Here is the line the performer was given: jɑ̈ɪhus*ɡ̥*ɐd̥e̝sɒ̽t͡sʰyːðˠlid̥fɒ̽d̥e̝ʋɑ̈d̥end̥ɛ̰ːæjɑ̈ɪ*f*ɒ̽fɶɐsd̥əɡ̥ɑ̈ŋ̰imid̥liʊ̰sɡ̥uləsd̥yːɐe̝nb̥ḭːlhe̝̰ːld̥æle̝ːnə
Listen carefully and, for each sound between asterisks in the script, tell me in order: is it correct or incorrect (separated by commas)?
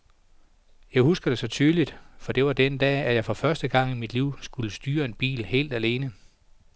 correct, correct